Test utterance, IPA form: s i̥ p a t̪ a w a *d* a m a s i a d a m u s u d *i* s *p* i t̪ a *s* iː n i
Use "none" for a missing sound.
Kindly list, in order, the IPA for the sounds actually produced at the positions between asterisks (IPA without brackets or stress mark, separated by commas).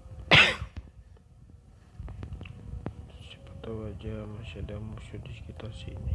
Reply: d͡ʒ, i, k, s